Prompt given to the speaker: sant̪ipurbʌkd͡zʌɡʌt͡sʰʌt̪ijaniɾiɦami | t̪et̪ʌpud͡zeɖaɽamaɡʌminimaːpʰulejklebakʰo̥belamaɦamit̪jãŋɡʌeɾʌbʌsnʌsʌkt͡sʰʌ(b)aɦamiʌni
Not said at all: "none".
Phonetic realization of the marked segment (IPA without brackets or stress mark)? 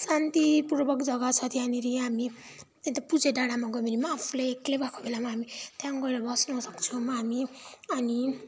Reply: m